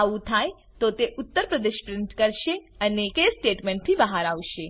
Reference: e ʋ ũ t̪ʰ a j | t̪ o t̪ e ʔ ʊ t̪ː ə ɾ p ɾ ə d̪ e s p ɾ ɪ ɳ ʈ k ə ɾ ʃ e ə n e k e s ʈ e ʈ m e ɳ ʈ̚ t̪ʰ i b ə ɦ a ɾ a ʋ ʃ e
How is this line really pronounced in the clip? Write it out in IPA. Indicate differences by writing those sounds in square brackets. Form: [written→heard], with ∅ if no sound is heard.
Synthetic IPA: [e→a] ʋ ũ t̪ʰ a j | t̪ o t̪ e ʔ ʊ t̪ː ə ɾ p ɾ ə d̪ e [s→ʃ] p ɾ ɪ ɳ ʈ k ə ɾ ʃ e ə n e k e s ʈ e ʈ m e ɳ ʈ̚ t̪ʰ i b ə ɦ a ɾ a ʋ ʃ e

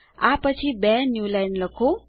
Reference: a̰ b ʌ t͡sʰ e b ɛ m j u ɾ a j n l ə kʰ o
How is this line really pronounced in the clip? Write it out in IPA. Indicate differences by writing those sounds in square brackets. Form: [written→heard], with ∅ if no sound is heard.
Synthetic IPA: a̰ [b→p] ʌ t͡sʰ [e→i] b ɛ [m→n] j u [ɾ→l] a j n l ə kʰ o

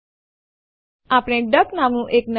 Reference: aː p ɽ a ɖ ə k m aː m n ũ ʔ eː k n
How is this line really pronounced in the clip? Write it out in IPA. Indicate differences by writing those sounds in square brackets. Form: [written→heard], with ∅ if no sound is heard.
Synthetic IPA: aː p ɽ [a→e] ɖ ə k [m→n] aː m n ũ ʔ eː k n

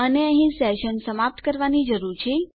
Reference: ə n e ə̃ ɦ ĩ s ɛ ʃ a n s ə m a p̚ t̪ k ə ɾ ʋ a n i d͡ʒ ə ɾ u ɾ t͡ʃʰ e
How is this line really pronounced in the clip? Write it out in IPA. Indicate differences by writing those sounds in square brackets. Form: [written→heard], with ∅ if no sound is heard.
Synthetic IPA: ə n e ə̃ ɦ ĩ s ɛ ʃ [a→ə] n s ə m a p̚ t̪ k ə ɾ ʋ a n i d͡ʒ ə ɾ u ɾ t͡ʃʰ e

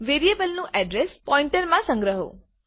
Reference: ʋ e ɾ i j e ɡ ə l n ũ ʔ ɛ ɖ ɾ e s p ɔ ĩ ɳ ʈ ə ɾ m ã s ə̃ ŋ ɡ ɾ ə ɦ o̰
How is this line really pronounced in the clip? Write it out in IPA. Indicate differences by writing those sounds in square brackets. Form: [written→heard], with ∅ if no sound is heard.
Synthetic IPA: ʋ e ɾ i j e [ɡ→b] ə l n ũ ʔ ɛ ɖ ɾ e s p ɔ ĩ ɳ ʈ ə ɾ m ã s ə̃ ŋ ɡ ɾ ə ɦ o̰

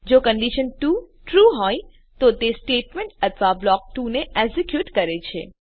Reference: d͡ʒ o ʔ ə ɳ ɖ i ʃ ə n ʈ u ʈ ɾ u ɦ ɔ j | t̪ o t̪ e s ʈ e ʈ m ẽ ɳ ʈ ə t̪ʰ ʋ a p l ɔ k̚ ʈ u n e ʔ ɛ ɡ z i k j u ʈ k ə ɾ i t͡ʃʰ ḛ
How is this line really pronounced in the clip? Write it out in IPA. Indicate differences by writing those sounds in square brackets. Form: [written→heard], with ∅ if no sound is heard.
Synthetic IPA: d͡ʒ o [ʔ→k] ə ɳ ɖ i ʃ ə n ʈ u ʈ ɾ u ɦ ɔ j | t̪ o t̪ e s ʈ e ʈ m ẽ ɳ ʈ ə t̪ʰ ʋ a [p→b] l ɔ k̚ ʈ u n e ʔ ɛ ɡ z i k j u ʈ k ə ɾ [i→e] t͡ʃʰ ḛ

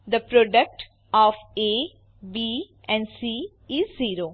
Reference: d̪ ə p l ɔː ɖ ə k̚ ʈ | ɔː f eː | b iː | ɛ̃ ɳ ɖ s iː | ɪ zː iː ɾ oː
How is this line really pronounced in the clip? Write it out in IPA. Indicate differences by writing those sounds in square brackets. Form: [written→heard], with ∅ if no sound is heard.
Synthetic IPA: d̪ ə p [l→ɾ] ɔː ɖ ə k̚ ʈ | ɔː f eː | b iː | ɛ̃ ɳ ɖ s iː | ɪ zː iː ɾ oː

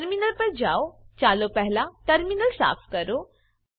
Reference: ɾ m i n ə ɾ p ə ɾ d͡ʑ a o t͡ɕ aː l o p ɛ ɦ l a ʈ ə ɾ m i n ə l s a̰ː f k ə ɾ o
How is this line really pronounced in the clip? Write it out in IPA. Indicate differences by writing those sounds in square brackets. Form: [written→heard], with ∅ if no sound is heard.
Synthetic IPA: ɾ m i n ə [ɾ→l] p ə ɾ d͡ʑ a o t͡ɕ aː l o p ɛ ɦ l a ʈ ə ɾ m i n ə l s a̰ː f k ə ɾ o

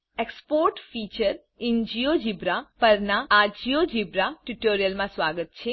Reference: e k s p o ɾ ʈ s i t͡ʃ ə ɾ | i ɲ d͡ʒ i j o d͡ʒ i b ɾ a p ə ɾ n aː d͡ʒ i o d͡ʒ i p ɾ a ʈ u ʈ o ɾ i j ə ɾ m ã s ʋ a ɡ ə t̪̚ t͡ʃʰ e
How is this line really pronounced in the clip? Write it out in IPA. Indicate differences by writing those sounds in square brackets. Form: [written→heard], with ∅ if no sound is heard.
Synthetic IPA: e k s p o ɾ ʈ [s→f] i t͡ʃ ə ɾ | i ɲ d͡ʒ i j o d͡ʒ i b ɾ a p ə ɾ n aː d͡ʒ i o d͡ʒ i [p→b] ɾ a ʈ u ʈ o ɾ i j ə [ɾ→l] m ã s ʋ a ɡ ə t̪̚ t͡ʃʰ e

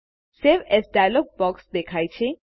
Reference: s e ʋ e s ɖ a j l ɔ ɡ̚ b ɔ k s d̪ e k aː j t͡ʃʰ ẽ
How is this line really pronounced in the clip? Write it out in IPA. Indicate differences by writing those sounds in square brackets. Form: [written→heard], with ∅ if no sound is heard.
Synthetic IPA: s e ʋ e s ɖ a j l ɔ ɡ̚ b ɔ k s d̪ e [k→kʰ] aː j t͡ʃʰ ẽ

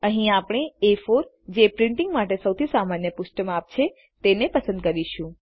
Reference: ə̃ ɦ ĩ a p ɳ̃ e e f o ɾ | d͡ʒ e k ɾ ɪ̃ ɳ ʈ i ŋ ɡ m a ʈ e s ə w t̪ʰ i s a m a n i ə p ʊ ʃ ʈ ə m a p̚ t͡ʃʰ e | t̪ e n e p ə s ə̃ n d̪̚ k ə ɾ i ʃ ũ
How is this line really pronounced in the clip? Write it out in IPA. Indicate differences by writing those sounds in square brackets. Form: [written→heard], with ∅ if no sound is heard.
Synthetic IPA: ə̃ ɦ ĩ a p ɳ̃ e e f o ɾ | d͡ʒ e [k→p] ɾ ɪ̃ ɳ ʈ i ŋ ɡ m a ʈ e s ə w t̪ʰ i s a m a n [i→j] ə p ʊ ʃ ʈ ə m a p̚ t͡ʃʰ e | t̪ e n e p ə s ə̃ n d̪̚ k ə ɾ i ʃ ũ

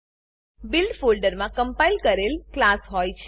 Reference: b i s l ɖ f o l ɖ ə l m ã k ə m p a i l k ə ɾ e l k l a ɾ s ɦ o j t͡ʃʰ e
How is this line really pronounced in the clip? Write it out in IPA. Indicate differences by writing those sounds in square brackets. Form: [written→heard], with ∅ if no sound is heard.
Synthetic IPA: b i [s→∅] l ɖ f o l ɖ ə [l→ɾ] m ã k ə m p a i l k ə ɾ e l k l a [ɾ→∅] s ɦ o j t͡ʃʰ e

